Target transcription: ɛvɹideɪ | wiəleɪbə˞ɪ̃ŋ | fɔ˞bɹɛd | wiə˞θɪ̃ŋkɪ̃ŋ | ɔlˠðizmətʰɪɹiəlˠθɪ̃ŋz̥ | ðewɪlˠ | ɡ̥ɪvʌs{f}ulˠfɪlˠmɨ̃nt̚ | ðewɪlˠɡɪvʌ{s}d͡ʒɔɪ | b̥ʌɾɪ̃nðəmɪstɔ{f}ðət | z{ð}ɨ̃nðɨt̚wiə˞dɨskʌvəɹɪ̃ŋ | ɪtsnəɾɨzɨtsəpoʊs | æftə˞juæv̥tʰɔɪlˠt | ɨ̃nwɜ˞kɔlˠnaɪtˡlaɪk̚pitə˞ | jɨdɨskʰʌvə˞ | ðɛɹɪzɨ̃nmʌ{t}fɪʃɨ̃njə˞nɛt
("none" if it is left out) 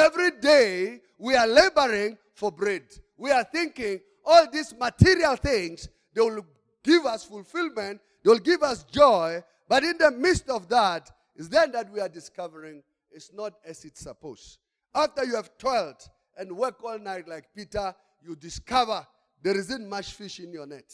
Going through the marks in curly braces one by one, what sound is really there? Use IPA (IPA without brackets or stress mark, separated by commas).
f, s, v, ð, t͡ʃ